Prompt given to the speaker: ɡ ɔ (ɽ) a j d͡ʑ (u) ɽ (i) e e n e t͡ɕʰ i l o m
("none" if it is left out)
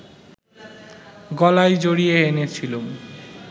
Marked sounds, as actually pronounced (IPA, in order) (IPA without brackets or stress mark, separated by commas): l, o, i